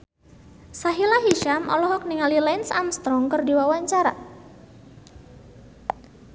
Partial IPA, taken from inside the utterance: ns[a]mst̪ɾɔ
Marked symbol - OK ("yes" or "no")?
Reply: yes